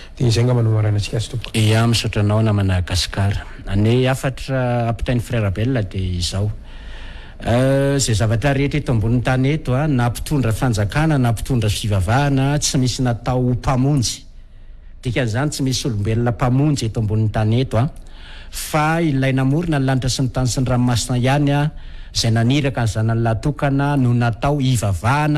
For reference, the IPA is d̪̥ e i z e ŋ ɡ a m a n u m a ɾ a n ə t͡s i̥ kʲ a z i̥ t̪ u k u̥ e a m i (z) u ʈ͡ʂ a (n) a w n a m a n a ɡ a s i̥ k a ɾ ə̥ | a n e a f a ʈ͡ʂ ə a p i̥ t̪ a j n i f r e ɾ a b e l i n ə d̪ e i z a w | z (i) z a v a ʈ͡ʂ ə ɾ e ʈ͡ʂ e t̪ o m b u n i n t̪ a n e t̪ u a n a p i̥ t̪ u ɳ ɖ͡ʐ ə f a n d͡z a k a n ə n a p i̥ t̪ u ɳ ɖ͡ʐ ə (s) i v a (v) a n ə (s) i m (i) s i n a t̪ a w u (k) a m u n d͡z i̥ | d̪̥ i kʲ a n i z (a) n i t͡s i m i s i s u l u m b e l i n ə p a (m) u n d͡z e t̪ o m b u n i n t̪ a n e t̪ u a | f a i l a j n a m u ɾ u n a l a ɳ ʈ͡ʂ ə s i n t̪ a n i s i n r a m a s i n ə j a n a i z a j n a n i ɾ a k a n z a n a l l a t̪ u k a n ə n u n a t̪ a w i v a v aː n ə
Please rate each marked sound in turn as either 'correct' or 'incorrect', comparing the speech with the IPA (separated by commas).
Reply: incorrect, correct, incorrect, incorrect, correct, incorrect, correct, incorrect, correct, correct